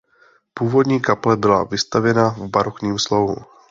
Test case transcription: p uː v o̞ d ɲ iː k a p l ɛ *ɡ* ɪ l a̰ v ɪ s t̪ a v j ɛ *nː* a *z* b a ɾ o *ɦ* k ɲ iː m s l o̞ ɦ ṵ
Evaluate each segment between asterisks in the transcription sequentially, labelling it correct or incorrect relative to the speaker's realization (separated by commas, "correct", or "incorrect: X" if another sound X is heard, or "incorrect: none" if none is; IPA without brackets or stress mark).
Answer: incorrect: b, incorrect: n, incorrect: v, incorrect: none